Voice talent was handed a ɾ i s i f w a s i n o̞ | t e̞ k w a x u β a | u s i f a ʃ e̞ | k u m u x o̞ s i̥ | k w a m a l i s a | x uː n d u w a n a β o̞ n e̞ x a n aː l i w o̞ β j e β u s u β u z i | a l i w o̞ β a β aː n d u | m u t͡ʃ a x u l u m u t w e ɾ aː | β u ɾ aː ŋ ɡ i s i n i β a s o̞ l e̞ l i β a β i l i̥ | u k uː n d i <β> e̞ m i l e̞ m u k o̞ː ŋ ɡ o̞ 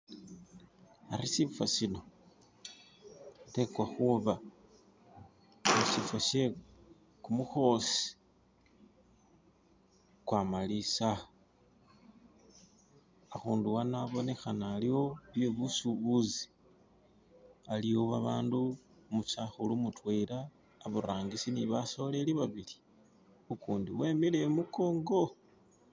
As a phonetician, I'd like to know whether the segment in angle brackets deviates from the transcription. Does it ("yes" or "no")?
yes